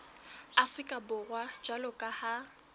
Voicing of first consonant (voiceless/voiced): voiceless